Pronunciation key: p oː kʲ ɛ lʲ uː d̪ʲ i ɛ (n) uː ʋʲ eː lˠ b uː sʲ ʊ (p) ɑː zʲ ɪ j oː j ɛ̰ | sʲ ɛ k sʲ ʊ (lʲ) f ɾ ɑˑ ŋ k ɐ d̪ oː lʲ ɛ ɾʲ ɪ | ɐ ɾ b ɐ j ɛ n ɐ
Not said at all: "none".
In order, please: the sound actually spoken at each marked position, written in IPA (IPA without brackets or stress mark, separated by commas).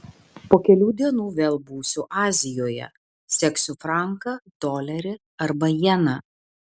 n, ʔ, none